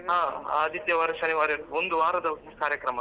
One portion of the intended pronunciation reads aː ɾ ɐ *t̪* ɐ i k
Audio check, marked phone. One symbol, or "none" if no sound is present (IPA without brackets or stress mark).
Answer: d̪